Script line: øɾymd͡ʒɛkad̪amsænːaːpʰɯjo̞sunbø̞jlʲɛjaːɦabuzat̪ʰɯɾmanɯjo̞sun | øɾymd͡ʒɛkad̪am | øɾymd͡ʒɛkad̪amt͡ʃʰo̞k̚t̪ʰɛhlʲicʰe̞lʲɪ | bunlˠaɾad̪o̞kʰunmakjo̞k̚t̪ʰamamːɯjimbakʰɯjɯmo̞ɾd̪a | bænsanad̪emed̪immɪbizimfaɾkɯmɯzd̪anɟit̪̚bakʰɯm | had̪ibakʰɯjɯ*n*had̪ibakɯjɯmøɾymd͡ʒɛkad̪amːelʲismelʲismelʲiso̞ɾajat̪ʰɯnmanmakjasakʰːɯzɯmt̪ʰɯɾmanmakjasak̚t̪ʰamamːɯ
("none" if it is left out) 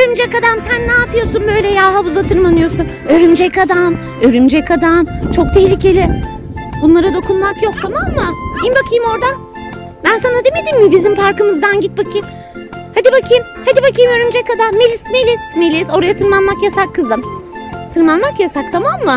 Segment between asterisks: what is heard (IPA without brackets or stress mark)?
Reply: m